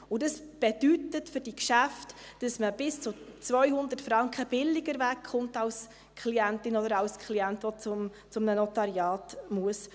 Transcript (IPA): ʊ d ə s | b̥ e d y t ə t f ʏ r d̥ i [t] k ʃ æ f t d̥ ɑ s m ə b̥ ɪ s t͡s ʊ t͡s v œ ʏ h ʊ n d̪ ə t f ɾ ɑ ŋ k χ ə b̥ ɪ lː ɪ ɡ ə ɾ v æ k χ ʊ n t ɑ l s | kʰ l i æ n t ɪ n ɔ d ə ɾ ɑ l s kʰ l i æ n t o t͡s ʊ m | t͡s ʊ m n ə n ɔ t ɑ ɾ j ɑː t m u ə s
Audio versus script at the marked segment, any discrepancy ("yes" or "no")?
yes